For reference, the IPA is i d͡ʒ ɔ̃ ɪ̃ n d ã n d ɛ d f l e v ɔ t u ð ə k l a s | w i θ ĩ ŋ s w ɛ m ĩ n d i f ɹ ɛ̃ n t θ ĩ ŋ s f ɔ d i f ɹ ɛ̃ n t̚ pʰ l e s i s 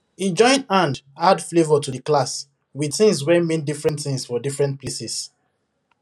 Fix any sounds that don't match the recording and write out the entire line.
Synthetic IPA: i d͡ʒ ɔ̃ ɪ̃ n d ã n d a d f l e v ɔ t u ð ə k l a s | w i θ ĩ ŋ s w ɛ m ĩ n d i f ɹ ɛ̃ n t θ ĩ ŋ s f ɔ d i f ɹ ɛ̃ n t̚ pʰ l e s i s